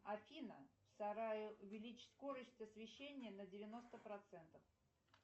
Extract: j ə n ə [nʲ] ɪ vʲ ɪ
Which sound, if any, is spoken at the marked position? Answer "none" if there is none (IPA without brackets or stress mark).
dʲ